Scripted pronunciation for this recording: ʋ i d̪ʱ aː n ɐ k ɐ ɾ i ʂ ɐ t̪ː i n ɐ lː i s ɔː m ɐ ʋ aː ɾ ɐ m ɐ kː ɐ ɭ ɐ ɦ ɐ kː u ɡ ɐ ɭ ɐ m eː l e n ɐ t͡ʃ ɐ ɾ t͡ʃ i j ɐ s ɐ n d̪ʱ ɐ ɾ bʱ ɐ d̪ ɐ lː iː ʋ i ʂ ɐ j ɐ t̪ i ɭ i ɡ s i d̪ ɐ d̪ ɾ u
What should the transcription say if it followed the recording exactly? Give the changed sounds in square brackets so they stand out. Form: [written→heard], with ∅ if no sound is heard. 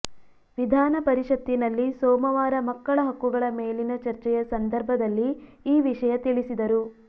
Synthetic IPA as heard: ʋ i d̪ʱ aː n ɐ [k→p] ɐ ɾ i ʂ ɐ t̪ː i n ɐ lː i s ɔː m ɐ ʋ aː ɾ ɐ m ɐ kː ɐ ɭ ɐ ɦ ɐ kː u ɡ ɐ ɭ ɐ m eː l [e→i] n ɐ t͡ʃ ɐ ɾ t͡ʃ [i→ɛ] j ɐ s ɐ n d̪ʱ ɐ ɾ bʱ ɐ d̪ ɐ lː iː ʋ i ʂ ɐ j ɐ t̪ i ɭ i [ɡ→∅] s i d̪ ɐ [d̪→∅] ɾ u